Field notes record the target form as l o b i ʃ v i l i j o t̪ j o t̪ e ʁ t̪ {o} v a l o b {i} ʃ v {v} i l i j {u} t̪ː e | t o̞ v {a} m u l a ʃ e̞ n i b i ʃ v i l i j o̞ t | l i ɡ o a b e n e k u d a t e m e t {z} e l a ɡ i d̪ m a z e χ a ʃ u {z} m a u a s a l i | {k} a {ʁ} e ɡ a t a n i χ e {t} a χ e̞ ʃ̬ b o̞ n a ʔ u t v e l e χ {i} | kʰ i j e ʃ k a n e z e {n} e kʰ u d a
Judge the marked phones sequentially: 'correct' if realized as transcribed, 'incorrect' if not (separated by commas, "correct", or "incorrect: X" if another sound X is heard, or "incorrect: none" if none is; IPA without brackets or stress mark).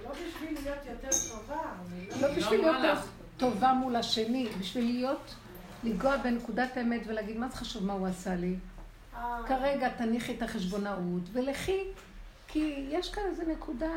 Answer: correct, correct, correct, incorrect: o, correct, incorrect: v, incorrect: v, correct, correct, correct, correct, correct